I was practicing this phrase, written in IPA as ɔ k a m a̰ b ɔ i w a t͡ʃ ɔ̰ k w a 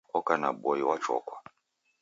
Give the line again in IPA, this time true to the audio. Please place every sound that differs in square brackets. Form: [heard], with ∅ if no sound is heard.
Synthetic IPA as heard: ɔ k a [n] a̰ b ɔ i w a t͡ʃ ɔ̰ k w a